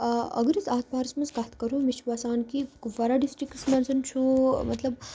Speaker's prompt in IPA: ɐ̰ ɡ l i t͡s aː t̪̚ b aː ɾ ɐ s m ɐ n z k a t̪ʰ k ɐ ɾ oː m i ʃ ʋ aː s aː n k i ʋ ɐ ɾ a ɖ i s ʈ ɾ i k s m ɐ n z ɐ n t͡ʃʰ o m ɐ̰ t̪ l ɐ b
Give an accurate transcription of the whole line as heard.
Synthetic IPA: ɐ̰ ɡ ɾ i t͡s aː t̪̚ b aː ɾ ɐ s m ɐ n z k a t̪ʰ k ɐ ɾ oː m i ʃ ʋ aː s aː n k i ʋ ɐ ɾ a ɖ i s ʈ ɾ i k s m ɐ n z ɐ n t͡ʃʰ u m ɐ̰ t̪ l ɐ b